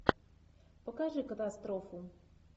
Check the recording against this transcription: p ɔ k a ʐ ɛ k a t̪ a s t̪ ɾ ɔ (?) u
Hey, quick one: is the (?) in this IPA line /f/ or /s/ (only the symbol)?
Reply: f